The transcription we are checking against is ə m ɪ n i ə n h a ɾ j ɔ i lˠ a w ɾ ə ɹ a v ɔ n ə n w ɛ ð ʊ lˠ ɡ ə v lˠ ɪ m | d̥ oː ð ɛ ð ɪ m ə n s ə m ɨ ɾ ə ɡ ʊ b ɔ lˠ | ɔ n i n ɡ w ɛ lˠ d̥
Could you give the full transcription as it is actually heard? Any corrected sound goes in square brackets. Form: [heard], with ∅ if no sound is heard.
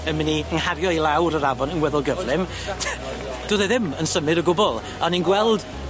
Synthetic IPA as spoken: ə m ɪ n i ə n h a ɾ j ɔ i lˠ a w ɾ ə [ɾ] a v ɔ n ə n w ɛ ð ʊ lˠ ɡ ə v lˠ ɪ m | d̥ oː ð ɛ ð ɪ m ə n s ə m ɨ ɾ ə ɡ ʊ b ɔ lˠ | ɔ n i n ɡ w ɛ lˠ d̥